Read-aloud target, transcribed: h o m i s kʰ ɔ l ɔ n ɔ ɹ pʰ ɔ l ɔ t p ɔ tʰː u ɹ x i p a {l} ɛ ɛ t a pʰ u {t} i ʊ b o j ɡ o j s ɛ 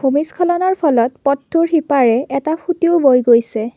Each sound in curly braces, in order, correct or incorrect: incorrect, correct

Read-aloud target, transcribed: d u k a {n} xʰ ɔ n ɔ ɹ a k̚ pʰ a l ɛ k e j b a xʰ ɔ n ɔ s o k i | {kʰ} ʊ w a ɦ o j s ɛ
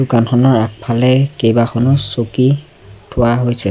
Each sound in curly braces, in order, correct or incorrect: correct, incorrect

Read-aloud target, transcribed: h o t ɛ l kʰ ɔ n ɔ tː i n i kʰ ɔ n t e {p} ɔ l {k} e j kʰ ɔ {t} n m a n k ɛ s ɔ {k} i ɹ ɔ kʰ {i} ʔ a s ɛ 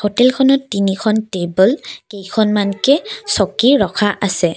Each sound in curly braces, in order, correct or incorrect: incorrect, correct, incorrect, correct, incorrect

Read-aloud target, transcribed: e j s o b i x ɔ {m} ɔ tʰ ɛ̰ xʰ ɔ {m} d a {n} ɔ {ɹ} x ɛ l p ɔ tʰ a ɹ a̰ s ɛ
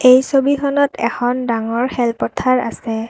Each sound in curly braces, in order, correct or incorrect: incorrect, incorrect, incorrect, correct

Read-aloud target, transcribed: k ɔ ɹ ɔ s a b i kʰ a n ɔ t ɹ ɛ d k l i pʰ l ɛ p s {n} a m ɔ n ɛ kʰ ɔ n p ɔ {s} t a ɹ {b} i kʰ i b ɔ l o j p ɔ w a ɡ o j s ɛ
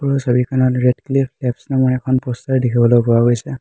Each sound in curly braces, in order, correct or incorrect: correct, correct, incorrect

